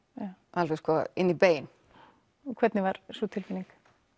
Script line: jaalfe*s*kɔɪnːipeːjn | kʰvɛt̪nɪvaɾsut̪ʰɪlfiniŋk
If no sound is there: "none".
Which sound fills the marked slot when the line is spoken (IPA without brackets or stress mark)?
s